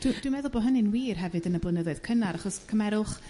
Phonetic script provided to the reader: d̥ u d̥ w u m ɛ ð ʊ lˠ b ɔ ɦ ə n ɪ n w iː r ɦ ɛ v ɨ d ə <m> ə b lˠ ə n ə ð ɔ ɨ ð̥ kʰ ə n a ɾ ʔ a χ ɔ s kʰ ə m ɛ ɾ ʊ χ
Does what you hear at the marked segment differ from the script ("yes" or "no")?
yes